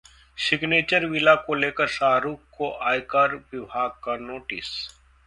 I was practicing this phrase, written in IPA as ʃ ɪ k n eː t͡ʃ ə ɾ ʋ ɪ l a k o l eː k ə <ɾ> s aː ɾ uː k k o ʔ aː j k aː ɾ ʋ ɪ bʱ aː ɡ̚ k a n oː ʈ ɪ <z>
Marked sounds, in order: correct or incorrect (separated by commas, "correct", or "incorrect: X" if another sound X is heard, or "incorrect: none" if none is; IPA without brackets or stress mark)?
correct, incorrect: s